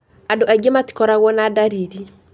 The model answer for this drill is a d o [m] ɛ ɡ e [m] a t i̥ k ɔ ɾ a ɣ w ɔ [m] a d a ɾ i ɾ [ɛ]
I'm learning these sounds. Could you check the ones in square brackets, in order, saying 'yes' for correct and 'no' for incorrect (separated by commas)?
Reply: no, yes, no, no